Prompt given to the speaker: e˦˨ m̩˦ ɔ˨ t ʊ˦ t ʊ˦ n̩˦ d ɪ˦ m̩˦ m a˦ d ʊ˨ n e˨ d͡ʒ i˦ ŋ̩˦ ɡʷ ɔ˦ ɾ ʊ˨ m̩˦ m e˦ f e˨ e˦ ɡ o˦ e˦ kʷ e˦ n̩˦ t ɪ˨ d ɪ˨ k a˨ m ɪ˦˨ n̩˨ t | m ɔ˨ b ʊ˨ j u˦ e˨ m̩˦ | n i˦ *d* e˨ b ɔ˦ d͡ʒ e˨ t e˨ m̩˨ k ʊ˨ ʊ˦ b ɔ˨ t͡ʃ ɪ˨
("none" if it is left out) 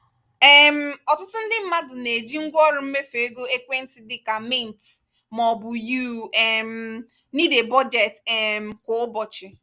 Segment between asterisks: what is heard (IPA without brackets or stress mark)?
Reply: d